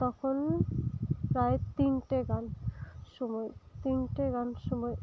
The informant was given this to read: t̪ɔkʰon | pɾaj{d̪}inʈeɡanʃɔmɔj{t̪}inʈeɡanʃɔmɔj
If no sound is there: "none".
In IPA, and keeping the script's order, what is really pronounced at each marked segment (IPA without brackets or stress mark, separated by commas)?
t̪, t̪